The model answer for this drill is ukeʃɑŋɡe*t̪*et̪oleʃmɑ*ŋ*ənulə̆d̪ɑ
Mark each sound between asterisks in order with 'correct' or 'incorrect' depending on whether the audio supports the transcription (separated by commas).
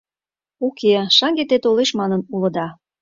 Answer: correct, incorrect